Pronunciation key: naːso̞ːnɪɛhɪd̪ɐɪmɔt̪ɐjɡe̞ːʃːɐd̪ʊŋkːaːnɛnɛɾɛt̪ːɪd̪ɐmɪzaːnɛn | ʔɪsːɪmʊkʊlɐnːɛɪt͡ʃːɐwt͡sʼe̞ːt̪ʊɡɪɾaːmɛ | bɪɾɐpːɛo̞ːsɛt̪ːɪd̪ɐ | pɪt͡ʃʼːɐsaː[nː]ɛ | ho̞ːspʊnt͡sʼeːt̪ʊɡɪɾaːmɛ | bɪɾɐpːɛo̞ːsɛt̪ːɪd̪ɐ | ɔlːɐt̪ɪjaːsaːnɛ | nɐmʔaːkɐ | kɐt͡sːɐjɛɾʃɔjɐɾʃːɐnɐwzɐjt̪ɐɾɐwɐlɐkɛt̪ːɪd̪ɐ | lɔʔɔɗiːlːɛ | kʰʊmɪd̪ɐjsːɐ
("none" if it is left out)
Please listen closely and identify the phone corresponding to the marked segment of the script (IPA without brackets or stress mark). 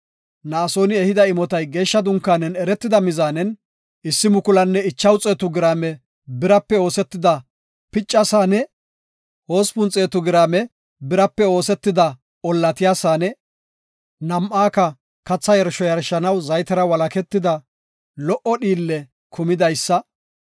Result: n